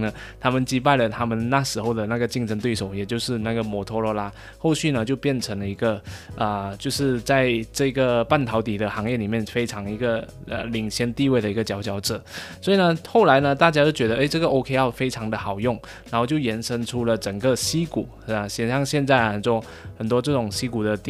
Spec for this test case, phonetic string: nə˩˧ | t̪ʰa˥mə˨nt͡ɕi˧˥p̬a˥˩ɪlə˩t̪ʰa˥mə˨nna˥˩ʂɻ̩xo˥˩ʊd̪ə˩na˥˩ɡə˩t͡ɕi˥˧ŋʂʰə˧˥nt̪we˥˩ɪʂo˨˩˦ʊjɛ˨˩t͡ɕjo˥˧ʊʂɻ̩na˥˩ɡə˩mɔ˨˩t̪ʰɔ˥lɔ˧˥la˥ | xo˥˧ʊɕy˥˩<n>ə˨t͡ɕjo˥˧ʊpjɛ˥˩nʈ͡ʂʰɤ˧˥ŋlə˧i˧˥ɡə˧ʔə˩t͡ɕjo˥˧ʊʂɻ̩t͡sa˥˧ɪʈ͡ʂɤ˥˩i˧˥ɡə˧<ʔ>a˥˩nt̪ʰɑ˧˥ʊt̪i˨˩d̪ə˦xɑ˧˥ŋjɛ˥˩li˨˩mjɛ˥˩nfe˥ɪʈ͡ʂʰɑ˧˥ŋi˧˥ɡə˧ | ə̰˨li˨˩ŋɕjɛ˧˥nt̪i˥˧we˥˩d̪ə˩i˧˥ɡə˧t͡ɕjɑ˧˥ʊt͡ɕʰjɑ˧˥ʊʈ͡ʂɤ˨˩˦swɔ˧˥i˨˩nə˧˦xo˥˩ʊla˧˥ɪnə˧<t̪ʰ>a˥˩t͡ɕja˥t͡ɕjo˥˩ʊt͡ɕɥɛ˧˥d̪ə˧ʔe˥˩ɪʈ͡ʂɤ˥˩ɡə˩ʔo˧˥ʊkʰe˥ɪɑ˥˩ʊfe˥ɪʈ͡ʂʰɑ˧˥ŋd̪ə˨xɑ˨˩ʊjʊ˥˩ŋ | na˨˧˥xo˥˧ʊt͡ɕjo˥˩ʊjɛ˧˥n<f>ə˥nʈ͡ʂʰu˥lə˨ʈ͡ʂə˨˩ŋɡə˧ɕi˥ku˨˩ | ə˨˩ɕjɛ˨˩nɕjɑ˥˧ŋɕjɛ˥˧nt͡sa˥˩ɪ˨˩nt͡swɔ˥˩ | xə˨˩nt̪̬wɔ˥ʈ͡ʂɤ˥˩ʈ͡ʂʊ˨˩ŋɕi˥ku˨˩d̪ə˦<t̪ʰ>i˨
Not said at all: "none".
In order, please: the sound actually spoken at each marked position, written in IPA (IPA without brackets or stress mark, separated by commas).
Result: n, p, t̪, ʂ, t̪